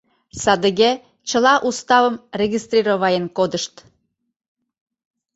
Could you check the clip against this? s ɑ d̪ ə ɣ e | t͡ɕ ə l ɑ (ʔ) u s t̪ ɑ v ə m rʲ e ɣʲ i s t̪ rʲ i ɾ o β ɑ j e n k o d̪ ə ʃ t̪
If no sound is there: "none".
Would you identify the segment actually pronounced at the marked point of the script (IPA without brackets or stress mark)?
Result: ʔ